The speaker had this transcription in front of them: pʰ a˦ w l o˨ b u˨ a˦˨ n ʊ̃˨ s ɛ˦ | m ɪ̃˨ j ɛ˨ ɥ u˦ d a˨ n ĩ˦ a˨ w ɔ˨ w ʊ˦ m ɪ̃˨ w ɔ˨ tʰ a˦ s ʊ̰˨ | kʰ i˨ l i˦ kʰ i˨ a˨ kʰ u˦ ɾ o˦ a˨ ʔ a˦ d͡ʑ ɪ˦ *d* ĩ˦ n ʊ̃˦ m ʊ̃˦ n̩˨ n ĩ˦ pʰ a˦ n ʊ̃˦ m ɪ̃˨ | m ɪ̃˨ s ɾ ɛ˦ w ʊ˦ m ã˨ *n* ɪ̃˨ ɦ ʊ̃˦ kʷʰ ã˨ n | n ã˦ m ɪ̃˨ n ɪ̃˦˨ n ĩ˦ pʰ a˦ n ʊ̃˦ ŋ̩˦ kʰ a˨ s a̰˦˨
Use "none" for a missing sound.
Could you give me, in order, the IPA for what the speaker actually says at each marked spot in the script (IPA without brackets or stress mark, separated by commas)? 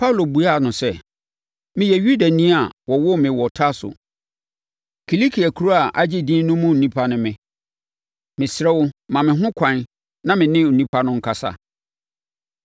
d, m